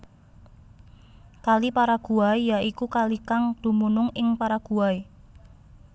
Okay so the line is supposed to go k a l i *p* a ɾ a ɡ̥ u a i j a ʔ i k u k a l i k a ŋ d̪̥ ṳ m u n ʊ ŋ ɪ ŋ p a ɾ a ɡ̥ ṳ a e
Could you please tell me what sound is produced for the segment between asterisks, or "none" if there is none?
p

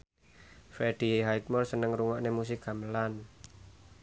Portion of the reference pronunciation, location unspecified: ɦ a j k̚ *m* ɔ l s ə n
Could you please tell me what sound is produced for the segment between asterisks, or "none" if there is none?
m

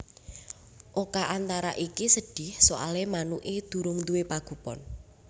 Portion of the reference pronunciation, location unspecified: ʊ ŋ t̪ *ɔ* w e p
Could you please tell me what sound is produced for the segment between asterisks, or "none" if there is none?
u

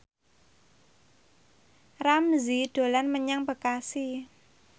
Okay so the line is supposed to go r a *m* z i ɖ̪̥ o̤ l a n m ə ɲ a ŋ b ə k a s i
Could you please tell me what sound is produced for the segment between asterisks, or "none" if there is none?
m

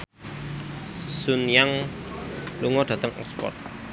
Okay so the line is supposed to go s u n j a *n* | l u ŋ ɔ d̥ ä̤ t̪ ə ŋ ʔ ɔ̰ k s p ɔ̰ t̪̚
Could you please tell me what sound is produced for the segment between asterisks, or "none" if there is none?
ŋ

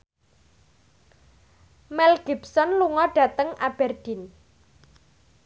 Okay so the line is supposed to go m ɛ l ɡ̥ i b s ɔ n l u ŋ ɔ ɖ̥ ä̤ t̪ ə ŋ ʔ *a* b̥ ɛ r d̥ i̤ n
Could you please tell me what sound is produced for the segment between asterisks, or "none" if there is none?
a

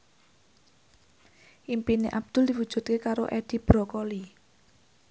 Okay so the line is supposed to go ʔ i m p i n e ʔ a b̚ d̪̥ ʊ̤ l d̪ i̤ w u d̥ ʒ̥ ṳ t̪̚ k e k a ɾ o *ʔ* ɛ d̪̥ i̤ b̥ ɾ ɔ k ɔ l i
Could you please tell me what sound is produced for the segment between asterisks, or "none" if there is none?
ʔ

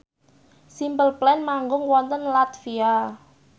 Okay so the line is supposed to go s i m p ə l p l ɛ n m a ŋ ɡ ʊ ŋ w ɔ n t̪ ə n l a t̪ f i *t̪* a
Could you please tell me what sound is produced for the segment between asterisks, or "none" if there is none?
none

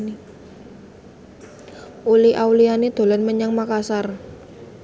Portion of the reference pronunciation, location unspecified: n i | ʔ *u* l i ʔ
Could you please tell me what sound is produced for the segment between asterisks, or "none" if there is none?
u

